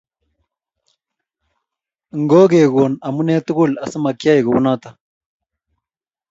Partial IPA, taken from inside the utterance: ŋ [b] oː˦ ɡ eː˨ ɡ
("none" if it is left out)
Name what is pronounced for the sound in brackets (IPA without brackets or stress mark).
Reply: ɡ